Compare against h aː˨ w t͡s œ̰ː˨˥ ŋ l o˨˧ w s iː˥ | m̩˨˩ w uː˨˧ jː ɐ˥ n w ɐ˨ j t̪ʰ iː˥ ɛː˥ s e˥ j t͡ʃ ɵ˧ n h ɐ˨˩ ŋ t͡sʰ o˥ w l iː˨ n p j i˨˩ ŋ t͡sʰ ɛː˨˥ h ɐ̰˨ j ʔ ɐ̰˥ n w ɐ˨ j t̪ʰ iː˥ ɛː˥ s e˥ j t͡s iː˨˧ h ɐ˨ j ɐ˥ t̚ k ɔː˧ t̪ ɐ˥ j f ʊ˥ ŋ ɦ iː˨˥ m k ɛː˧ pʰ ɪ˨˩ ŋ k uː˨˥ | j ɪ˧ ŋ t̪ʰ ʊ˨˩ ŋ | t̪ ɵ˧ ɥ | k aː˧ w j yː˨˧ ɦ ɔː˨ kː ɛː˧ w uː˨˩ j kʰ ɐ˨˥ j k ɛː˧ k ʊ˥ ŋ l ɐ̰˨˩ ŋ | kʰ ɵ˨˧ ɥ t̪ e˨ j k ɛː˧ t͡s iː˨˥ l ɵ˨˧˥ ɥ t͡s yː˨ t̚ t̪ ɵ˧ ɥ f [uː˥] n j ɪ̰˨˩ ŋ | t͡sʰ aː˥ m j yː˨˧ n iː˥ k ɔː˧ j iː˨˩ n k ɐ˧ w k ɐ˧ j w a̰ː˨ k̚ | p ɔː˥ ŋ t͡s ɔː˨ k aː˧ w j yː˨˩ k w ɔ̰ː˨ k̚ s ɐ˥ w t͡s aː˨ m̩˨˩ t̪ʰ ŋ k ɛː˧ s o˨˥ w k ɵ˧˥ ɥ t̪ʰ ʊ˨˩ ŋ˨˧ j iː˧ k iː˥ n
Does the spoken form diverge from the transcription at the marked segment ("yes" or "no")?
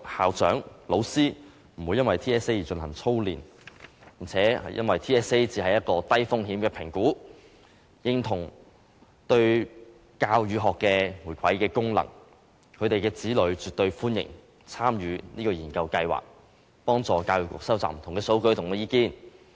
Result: no